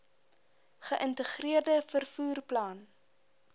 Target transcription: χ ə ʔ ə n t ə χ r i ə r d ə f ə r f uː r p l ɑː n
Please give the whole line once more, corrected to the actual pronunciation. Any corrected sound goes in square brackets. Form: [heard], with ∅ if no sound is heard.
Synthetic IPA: χ ə ʔ ə n t ə χ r i ə r d ə f ə r f uː r p l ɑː n